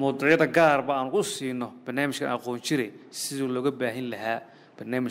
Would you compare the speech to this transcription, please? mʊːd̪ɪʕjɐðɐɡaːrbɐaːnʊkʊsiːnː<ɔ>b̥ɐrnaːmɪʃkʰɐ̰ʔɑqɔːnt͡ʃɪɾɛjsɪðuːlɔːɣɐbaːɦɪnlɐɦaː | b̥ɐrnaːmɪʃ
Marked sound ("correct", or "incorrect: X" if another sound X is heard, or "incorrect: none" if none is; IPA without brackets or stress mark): correct